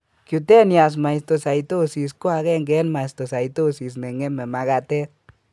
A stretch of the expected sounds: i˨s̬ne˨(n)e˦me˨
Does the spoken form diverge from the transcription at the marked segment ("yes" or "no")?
yes